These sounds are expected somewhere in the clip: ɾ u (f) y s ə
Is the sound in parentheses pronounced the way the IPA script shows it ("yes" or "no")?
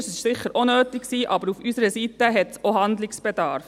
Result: yes